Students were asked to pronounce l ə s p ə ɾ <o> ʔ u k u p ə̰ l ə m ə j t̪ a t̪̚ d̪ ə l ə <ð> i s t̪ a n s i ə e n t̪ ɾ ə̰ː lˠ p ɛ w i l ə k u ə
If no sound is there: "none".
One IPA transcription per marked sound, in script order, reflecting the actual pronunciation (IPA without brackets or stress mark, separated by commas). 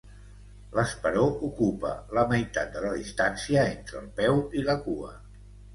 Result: o, ð